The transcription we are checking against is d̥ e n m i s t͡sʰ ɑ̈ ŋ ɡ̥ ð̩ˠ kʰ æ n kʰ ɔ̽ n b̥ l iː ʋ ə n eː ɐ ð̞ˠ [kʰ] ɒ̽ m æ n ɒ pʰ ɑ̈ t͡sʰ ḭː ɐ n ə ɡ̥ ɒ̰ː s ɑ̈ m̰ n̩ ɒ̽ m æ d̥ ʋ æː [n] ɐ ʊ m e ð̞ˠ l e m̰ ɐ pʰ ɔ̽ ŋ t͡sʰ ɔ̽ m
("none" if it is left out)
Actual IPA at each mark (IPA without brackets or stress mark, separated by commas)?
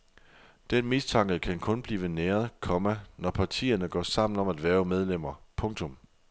kʰ, none